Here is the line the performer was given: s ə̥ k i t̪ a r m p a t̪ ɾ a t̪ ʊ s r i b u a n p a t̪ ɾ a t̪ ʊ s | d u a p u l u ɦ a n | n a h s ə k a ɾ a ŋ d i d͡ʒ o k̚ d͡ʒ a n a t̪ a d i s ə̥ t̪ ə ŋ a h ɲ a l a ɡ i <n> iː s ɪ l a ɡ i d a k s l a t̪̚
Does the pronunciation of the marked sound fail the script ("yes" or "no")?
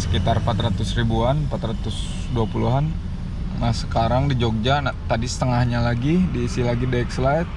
yes